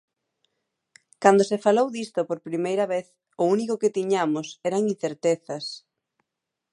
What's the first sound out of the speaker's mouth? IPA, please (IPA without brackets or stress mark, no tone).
k